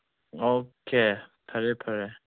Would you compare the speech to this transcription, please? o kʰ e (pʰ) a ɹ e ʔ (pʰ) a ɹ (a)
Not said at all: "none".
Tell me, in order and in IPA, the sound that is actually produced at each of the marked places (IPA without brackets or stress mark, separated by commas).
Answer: pʰ, pʰ, e